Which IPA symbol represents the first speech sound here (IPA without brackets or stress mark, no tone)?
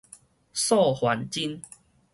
s